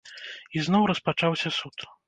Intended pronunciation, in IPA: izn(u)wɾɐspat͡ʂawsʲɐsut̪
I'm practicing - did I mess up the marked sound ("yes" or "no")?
yes